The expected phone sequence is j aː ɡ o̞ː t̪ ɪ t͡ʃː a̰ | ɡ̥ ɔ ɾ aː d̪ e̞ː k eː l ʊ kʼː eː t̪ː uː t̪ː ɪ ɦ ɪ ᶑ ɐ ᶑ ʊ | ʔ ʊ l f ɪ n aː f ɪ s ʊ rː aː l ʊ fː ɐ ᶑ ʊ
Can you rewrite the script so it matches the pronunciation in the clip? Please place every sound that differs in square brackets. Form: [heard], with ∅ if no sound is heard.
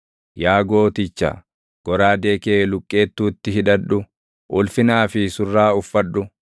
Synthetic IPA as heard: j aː ɡ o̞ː t̪ ɪ t͡ʃː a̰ | ɡ̥ ɔ ɾ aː d̪ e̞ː k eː l ʊ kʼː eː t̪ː uː t̪ː ɪ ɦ ɪ ᶑ ɐ ᶑ ʊ | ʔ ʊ l f ɪ n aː f ɪ s ʊ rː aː [∅] ʊ fː ɐ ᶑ ʊ